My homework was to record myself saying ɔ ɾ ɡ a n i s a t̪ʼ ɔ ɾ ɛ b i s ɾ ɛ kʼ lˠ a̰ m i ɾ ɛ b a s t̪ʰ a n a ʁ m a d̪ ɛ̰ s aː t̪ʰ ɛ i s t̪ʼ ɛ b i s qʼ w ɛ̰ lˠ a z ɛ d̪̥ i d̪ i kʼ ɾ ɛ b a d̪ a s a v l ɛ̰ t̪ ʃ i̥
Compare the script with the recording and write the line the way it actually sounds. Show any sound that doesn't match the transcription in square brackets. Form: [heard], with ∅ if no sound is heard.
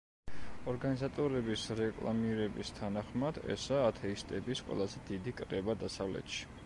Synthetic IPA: ɔ ɾ ɡ a n i [z] a t̪ʼ ɔ ɾ ɛ b i s ɾ ɛ kʼ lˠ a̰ m i ɾ ɛ b [i] s t̪ʰ a n a [χ] m a d̪ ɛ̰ s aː t̪ʰ ɛ i s t̪ʼ ɛ b i s qʼ w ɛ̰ lˠ a z ɛ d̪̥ i d̪ i kʼ ɾ ɛ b a d̪ a s a v l ɛ̰ t̪ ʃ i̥